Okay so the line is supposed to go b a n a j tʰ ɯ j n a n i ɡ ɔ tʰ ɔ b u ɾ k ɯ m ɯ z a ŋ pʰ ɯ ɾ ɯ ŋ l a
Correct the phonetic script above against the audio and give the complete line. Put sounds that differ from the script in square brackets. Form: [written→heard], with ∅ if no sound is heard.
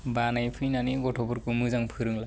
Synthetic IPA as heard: b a n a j [tʰ→pʰ] ɯ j n a n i ɡ ɔ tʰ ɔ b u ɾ k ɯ m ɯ z a ŋ pʰ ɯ ɾ ɯ ŋ l a